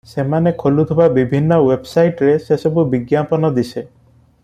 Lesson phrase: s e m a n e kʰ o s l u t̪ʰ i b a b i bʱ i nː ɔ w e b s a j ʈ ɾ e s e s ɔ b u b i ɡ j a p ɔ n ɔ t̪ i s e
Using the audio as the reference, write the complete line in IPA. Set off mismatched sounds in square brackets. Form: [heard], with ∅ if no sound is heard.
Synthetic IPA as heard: s e m a n e kʰ o [∅] l u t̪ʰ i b a b i bʱ i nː ɔ w e b s a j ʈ ɾ e s e s ɔ b u b i ɡ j a p ɔ n ɔ [d̪] i s e